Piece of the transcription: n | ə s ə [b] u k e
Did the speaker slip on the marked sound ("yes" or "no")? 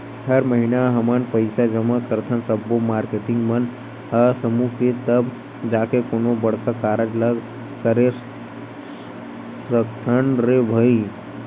yes